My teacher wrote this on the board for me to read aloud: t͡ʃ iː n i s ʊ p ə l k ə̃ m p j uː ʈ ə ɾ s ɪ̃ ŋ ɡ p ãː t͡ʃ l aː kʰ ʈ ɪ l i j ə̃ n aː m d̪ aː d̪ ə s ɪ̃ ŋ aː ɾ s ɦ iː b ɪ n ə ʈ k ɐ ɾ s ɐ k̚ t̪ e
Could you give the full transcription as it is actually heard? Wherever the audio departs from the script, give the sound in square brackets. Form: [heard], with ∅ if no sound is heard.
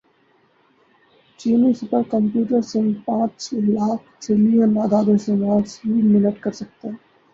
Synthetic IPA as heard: t͡ʃ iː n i s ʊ p ə [ɾ] k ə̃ m p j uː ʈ ə ɾ s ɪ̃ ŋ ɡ p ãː t͡ʃ l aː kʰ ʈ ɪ l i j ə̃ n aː [∅] d̪ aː d̪ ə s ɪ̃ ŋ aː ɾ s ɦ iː [m] ɪ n ə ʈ k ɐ ɾ s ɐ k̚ t̪ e